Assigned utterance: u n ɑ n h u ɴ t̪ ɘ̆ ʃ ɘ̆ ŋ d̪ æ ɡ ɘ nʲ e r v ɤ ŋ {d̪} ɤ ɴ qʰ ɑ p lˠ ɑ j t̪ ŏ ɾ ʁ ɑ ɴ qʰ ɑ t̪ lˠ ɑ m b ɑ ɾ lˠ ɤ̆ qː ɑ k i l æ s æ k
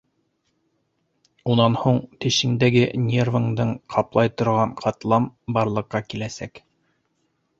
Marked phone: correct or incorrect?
correct